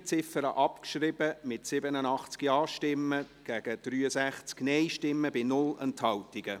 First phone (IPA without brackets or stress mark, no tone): t͡s